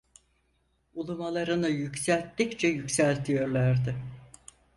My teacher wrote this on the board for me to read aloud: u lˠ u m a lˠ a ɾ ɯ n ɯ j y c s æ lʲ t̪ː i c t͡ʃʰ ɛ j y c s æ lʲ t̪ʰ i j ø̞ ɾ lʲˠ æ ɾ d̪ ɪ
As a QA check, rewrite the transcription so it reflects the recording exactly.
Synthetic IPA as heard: u lˠ u m a lˠ a ɾ ɯ n ɯ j y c s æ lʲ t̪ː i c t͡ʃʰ ɛ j y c s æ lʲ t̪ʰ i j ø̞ ɾ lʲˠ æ ɾ d̪ ɪ